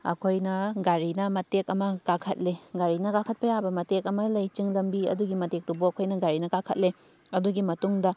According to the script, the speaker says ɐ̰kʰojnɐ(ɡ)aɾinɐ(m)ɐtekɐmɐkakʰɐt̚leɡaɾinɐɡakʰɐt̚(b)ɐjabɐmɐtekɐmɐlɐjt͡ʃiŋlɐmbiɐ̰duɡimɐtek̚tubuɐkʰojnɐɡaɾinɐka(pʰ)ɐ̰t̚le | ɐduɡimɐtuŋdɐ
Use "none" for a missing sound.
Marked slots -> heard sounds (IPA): ɡ, m, p, kʰ

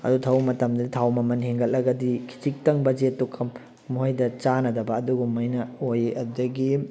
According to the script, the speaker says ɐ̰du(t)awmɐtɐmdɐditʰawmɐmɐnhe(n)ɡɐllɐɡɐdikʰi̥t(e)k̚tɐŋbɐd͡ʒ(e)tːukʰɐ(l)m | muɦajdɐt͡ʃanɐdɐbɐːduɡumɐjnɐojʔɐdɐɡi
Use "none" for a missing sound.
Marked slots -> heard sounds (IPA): tʰ, ŋ, i, e, none

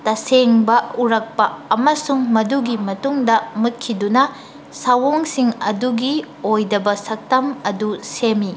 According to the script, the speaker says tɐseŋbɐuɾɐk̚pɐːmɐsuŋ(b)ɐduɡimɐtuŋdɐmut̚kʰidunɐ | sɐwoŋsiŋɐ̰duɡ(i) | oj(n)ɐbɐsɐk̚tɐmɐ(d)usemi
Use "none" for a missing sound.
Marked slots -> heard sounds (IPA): m, i, d, d

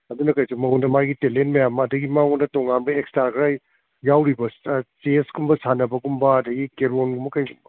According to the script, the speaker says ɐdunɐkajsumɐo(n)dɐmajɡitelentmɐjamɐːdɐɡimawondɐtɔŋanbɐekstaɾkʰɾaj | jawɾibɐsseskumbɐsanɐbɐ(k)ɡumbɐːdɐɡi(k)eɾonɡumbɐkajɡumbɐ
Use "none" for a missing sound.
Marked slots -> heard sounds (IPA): n, none, k

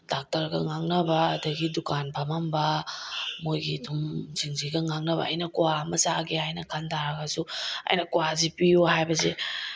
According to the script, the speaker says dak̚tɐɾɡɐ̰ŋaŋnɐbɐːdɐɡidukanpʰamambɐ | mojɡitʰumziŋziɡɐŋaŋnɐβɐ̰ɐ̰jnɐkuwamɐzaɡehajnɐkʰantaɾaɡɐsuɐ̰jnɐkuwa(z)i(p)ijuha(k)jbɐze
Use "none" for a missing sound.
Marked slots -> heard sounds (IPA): z, p, none

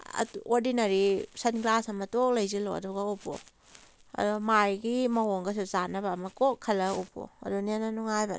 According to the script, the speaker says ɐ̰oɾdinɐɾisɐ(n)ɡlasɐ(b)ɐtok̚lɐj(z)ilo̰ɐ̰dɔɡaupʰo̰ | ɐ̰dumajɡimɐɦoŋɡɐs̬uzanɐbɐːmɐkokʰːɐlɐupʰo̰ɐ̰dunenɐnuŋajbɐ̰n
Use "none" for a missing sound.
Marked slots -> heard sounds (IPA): n, m, z

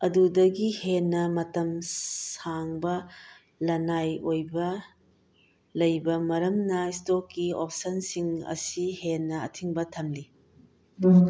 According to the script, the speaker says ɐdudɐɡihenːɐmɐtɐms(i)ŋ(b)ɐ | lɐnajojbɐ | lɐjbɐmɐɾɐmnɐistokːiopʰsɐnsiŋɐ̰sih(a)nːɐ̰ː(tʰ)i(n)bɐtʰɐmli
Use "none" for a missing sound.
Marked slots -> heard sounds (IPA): a, b, e, tʰ, ŋ

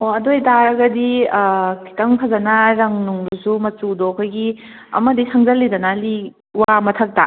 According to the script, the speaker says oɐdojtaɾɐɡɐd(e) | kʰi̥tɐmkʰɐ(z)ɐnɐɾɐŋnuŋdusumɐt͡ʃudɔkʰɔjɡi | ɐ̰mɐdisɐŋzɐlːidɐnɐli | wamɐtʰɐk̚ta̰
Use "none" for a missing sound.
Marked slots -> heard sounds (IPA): i, z

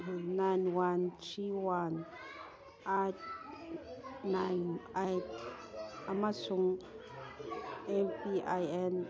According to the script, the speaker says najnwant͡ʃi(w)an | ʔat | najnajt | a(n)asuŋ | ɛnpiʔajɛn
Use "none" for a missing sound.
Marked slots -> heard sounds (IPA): w, m

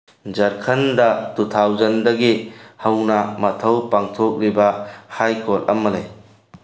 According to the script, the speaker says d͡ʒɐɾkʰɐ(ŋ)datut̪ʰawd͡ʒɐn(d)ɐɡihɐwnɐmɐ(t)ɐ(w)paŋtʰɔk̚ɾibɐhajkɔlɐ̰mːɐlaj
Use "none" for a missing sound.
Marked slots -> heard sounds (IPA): n, d, tʰ, w

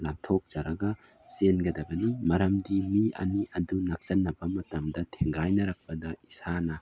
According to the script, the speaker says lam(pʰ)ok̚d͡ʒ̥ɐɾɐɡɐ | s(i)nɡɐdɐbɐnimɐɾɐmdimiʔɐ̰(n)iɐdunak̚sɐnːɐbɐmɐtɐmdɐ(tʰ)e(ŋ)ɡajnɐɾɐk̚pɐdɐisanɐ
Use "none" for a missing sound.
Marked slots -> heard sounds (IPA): tʰ, e, n, tʰ, ŋ

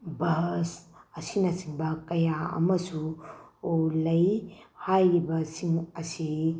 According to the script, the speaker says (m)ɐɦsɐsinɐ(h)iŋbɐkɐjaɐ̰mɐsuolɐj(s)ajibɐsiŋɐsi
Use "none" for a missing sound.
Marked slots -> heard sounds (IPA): b, s, h

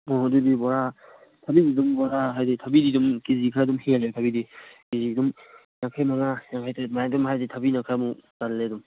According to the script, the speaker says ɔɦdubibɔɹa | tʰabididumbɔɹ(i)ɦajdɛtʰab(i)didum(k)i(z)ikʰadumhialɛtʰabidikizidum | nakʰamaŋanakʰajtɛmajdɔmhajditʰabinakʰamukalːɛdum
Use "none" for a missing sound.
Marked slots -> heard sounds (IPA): a, i, k, z

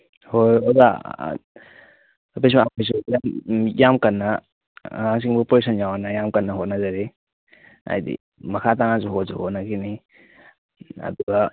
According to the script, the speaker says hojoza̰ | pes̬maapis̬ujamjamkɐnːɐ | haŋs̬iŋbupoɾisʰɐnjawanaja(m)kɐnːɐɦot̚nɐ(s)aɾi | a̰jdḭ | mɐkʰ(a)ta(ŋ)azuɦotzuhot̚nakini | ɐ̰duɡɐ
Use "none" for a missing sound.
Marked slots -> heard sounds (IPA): m, z, a, ŋ

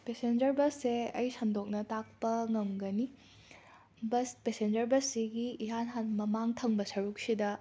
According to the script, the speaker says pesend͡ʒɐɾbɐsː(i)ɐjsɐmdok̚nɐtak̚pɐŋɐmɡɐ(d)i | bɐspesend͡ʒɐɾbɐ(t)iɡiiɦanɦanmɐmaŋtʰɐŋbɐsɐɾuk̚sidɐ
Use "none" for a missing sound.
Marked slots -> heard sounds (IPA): e, n, s

